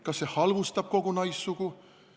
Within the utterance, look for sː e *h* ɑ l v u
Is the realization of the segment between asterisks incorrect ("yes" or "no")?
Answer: no